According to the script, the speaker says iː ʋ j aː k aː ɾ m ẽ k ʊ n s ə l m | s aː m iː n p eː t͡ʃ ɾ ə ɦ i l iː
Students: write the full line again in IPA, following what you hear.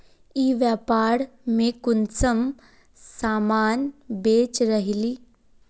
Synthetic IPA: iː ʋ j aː p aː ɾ m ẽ k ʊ n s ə m | s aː m aː n b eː t͡ʃ ɾ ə ɦ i l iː